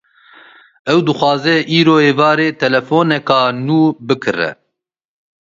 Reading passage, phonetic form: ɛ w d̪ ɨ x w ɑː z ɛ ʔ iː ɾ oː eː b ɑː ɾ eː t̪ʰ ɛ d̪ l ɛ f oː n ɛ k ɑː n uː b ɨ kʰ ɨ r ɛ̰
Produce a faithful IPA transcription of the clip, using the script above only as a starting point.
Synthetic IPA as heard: ɛ w d̪ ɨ x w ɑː z ɛ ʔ iː ɾ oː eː v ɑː ɾ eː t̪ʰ ɛ l ɛ f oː n ɛ k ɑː n uː b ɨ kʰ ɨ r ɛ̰